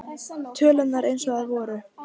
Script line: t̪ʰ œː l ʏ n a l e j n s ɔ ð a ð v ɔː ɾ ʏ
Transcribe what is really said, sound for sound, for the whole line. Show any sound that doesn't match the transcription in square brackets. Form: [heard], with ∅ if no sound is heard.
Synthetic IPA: t̪ʰ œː l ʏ n a [ɾ] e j n s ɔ [ɣ] a ð v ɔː ɾ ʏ

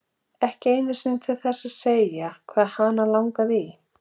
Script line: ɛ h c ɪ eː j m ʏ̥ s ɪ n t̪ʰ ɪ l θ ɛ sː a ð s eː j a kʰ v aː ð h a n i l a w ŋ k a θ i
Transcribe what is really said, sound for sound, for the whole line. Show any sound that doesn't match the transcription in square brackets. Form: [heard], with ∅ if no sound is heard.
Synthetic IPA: ɛ h c ɪ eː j [n] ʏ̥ s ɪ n t̪ʰ ɪ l θ ɛ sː a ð s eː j a kʰ v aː ð h a n [a] l a w ŋ k a [ð] i

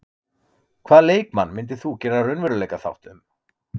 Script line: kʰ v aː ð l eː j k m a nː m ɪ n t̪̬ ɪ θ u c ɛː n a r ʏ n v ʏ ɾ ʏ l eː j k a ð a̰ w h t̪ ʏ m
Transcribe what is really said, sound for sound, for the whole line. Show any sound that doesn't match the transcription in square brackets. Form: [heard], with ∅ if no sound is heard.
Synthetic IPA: kʰ v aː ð l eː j k m a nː m ɪ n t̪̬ ɪ θ u c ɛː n a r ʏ n v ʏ ɾ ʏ l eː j k a [θ] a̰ w h t̪ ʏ m

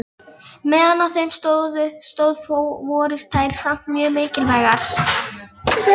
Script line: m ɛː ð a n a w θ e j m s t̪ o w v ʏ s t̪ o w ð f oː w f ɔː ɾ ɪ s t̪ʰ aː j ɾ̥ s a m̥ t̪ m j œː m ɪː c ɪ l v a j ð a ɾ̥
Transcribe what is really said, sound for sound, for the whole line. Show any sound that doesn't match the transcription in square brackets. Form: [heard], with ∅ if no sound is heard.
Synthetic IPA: m ɛː ð a n a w θ e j m s t̪ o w [ð] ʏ s t̪ o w ð f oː w [v] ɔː ɾ ɪ s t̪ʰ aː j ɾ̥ s a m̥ t̪ m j œː m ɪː c ɪ l v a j [ɣ] a ɾ̥

